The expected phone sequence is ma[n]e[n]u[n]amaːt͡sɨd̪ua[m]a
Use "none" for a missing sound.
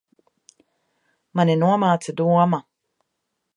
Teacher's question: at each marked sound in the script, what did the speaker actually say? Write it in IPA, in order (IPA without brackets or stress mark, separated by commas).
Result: n, n, none, m